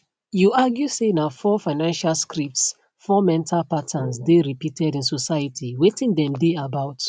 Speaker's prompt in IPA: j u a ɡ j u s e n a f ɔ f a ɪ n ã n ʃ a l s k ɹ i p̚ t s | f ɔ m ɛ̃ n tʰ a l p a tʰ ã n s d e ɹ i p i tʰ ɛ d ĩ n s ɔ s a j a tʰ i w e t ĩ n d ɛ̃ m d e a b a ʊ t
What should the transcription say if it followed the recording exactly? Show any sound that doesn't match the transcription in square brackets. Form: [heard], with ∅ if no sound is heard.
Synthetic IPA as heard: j u a ɡ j u s e n a f ɔ f a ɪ n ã n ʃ a l s k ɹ i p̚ t s | f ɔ m ɛ̃ n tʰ a l p a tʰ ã n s d e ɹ i p i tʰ ɛ d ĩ n s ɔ s a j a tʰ i w e t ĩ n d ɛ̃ m d e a b a ʊ t